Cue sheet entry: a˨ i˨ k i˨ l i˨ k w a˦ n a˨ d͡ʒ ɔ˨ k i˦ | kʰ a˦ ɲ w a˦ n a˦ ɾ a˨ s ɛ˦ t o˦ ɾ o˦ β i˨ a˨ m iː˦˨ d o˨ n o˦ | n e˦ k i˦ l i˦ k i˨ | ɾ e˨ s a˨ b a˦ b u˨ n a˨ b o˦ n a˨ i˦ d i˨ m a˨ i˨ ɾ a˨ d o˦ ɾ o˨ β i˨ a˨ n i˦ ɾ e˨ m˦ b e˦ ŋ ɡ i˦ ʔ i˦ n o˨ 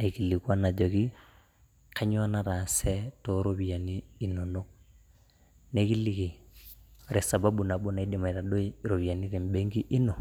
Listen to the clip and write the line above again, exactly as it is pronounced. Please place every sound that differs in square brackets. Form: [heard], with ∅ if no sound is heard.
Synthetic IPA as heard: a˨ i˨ k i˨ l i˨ k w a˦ n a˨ d͡ʒ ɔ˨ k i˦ | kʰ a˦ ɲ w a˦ n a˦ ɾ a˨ s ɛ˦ t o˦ ɾ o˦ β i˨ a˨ [n] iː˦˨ [n] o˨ n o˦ | n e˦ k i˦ l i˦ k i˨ | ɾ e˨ s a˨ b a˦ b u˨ n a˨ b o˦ n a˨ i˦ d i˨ m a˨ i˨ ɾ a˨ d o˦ ɾ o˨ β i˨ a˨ n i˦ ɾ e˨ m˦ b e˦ ŋ ɡ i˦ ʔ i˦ n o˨